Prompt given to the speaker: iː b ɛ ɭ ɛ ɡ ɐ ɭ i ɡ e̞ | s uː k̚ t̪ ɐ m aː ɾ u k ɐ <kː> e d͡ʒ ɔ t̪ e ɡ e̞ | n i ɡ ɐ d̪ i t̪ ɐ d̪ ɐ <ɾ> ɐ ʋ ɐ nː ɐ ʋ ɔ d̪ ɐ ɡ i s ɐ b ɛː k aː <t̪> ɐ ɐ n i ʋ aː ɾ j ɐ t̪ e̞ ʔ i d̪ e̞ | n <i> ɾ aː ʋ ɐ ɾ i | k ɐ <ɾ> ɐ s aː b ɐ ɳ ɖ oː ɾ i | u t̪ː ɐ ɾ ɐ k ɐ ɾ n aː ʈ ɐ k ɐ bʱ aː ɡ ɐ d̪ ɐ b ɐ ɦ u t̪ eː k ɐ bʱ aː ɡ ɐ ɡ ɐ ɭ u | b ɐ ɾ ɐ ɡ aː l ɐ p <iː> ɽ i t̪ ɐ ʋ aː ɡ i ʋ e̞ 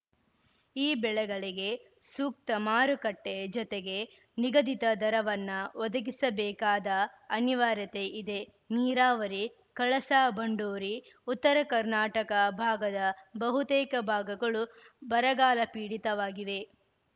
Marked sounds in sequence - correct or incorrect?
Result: incorrect: ʈː, correct, incorrect: d̪, incorrect: iː, incorrect: ɭ, correct

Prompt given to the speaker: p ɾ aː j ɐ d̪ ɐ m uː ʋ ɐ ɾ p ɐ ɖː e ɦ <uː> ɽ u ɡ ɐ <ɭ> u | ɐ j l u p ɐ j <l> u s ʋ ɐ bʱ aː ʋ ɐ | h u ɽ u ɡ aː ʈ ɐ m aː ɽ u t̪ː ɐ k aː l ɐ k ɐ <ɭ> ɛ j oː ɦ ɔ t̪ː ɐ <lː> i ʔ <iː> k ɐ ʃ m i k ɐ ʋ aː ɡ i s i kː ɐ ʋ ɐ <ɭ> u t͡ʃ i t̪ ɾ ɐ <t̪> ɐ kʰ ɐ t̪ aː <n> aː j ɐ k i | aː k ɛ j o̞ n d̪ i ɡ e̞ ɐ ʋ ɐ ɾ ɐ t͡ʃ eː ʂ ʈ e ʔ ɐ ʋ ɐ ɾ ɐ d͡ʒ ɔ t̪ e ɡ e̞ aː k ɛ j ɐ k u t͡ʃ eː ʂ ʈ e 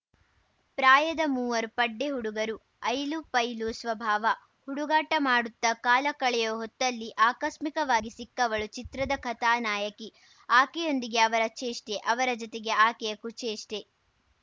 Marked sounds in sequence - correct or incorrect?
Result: incorrect: u, incorrect: ɾ, correct, correct, correct, incorrect: aː, correct, incorrect: d̪, correct

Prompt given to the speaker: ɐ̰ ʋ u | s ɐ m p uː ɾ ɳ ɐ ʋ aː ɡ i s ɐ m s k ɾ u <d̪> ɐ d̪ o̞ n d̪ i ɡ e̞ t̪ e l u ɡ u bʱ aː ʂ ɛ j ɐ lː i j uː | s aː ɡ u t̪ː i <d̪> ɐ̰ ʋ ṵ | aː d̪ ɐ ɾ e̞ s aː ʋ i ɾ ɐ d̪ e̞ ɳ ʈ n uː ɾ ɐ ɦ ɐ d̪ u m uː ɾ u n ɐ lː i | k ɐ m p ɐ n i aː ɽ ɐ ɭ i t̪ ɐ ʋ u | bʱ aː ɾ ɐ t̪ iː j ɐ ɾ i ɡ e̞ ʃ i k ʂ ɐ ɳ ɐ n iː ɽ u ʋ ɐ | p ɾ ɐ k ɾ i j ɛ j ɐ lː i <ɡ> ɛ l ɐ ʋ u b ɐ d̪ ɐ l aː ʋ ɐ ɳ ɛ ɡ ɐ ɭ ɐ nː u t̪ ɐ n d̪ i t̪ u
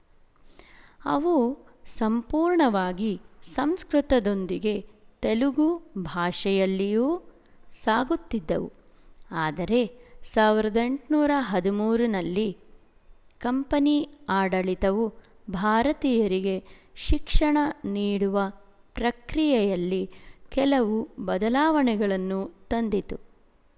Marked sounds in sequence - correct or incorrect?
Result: incorrect: t̪, incorrect: d̪ː, incorrect: k

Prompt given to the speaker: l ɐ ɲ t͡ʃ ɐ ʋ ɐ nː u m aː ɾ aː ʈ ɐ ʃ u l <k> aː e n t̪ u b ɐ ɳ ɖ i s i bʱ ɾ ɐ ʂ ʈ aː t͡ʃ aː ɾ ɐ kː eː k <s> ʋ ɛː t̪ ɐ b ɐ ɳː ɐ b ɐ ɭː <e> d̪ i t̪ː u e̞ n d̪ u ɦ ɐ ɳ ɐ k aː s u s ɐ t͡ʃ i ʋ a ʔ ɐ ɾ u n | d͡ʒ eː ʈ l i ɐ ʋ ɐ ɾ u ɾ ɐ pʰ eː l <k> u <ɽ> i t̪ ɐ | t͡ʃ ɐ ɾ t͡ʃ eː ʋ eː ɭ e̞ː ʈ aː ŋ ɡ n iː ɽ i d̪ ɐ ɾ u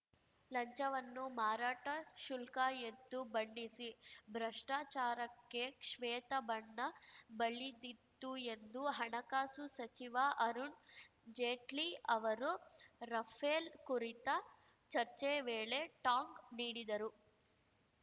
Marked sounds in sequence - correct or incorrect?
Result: correct, incorrect: ʂ, incorrect: i, correct, incorrect: ɾ

